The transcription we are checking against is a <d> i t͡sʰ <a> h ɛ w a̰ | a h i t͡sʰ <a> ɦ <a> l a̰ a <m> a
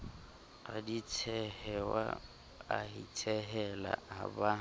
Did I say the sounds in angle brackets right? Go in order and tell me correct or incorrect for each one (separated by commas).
correct, incorrect, incorrect, incorrect, incorrect